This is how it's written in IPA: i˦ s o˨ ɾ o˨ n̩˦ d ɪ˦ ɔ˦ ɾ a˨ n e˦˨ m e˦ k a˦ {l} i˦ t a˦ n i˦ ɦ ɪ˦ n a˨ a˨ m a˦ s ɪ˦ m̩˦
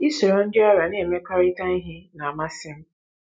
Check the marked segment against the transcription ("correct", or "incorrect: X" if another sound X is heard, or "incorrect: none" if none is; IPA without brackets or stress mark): incorrect: ɾ